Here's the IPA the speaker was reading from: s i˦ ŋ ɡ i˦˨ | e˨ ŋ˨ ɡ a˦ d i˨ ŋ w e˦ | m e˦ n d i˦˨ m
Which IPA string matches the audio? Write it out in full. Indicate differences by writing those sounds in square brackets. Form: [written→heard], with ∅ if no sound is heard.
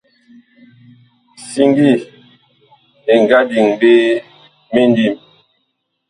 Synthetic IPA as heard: s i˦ ŋ ɡ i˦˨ | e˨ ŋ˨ ɡ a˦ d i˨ ŋ [w→b] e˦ | m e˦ n d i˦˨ m